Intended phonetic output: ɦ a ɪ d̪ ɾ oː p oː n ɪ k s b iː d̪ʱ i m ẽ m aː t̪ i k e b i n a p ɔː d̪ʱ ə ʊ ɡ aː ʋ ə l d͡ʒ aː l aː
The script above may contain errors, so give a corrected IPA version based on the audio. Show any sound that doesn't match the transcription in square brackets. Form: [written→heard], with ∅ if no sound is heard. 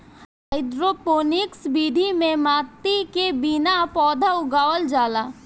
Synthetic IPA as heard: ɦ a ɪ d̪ ɾ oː p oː n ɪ k s b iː d̪ʱ i m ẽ m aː t̪ i k e b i n a p ɔː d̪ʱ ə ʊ ɡ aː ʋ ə l d͡ʒ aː l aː